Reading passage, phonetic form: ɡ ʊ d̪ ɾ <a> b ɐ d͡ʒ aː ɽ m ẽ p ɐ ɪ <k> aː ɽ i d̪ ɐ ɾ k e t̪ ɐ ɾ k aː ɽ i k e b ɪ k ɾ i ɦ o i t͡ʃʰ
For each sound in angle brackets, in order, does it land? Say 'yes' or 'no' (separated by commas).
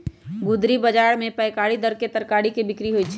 no, yes